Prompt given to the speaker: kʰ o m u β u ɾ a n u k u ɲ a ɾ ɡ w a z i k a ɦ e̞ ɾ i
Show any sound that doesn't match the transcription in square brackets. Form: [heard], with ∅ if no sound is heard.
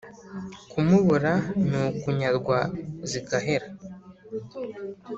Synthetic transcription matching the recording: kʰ [u] m u β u ɾ a n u k u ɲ a ɾ ɡ w a z i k a ɦ e̞ ɾ [a]